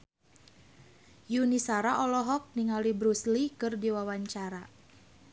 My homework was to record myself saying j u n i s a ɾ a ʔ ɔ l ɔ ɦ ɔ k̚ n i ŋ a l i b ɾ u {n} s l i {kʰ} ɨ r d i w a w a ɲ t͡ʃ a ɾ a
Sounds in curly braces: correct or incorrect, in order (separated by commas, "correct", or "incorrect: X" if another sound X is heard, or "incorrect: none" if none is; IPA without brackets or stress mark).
incorrect: none, incorrect: k